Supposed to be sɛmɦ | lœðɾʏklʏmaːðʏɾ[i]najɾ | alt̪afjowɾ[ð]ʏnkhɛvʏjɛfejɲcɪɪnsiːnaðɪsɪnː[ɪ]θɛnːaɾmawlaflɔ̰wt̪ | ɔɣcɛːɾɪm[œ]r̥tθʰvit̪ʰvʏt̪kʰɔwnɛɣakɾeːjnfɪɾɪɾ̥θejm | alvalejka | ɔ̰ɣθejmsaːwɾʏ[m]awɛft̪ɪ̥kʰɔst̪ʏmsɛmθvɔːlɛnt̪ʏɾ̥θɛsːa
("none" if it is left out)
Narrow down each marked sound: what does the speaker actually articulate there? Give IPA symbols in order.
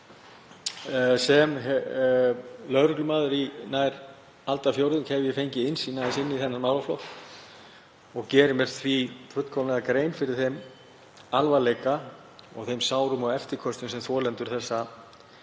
i, ð, i, ɛ, m

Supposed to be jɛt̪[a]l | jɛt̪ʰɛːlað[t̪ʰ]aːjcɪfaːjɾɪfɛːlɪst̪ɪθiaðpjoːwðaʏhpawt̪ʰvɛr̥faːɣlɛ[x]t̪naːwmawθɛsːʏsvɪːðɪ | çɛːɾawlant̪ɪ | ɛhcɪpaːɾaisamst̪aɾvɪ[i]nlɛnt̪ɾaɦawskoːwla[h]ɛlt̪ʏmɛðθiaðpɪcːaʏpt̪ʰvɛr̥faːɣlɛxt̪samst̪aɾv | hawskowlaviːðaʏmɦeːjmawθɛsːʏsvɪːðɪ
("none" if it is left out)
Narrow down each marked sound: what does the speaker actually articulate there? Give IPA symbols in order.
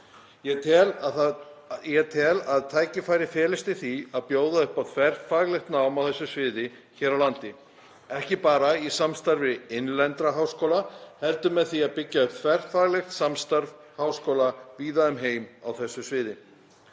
ɛ, t̪ʰ, x, ɪ, h

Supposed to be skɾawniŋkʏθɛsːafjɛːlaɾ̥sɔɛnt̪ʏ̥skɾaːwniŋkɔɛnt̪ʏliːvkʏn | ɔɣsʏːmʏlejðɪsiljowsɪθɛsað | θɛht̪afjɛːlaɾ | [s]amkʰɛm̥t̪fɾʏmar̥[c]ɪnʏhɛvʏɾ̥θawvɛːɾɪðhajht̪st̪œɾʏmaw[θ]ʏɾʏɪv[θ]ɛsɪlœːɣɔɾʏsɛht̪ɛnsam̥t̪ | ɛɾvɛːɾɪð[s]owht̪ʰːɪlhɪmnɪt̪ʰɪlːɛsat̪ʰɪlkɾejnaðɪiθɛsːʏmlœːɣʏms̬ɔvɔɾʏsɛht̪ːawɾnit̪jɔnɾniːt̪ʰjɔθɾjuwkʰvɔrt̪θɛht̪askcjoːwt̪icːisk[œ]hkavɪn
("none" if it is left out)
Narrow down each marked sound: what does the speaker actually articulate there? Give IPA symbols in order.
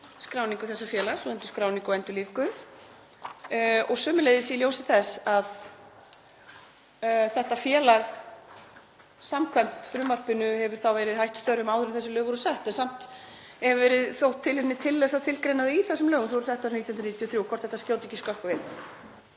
s, p, ð, θ, θ, œ

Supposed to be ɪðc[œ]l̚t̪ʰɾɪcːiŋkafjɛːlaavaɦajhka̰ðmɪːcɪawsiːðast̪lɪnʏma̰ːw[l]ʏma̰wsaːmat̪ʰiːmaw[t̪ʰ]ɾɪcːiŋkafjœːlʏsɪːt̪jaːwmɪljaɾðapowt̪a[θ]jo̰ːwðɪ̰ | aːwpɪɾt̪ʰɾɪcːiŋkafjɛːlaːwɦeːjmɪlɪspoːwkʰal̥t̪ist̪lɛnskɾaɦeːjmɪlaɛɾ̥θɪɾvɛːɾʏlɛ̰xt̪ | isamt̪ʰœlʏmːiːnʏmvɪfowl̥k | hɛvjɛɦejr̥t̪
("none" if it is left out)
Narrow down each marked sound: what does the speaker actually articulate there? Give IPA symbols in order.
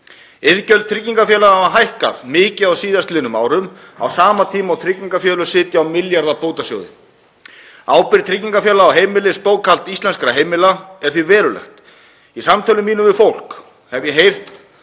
œ, ɾ, t̪ʰ, s

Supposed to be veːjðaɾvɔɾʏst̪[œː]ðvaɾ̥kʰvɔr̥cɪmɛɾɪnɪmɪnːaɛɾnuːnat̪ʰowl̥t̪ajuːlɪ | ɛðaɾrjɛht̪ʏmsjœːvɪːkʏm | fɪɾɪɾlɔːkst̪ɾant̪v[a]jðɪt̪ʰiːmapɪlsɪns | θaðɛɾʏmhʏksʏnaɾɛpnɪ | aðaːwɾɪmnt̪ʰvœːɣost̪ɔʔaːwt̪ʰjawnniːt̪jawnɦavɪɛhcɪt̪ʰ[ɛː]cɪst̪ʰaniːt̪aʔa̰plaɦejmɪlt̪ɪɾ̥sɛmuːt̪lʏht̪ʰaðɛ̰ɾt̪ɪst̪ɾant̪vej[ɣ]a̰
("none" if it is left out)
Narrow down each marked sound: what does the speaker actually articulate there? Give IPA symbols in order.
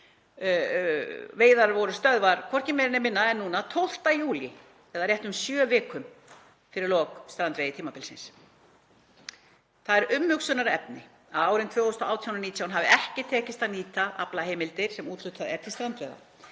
œ, e, ɛː, ð

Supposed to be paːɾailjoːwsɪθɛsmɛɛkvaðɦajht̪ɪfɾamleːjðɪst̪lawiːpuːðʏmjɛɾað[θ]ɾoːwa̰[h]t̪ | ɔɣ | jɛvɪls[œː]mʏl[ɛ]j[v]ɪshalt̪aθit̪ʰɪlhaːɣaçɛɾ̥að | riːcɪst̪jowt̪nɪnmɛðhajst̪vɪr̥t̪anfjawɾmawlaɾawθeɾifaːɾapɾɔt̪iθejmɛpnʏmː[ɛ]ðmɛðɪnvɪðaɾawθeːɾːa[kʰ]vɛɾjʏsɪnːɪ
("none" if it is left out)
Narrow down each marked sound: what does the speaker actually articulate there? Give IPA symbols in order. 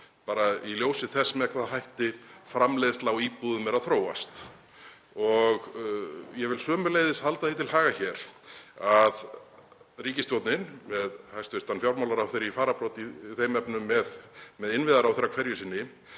θ, s, œː, e, ð, ɛ, kʰ

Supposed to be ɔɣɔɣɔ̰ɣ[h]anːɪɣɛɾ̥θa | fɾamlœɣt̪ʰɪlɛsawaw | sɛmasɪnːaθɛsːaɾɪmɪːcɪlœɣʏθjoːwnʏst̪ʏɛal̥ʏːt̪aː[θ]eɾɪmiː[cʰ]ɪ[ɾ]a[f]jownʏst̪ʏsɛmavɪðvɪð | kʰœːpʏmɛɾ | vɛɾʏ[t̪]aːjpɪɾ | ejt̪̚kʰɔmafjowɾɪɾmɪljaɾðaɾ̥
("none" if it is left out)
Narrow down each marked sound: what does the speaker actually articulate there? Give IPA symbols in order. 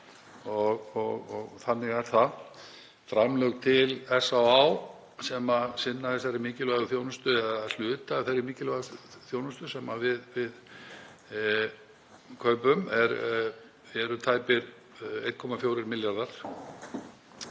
θ, θ, c, l, θ, t̪ʰ

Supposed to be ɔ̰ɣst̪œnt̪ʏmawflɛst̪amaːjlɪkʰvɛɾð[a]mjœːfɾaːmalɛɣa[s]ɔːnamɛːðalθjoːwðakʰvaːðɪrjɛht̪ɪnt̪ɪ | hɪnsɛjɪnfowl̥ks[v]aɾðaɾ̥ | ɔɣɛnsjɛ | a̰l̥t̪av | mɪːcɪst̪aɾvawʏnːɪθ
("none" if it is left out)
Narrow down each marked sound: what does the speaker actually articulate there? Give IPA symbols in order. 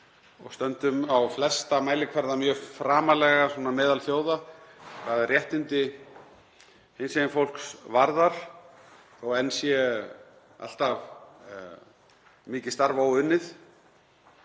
a, s, v

